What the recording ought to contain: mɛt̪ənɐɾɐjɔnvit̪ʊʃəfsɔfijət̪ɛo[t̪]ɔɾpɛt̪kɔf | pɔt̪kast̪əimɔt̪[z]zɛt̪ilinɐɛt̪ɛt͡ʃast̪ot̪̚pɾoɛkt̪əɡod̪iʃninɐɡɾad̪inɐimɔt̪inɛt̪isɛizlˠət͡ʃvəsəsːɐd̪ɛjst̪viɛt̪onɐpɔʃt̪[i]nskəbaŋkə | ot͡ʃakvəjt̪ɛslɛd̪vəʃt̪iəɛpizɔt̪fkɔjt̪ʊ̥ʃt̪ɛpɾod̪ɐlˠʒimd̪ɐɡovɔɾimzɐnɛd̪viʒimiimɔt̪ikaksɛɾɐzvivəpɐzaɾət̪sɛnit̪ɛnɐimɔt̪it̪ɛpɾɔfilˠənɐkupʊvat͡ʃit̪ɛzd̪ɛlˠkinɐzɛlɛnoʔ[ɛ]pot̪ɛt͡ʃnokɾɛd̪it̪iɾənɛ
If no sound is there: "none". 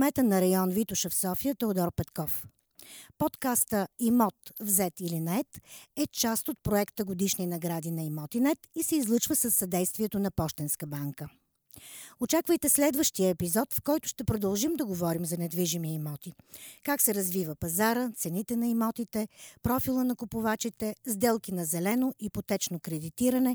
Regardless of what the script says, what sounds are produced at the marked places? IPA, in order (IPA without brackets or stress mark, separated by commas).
d̪, v, ɛ, i